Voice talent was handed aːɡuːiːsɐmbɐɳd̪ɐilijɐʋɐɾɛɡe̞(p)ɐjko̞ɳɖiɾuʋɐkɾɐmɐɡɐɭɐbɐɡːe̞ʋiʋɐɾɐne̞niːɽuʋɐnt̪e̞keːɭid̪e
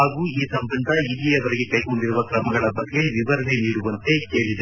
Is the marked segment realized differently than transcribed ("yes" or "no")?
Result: yes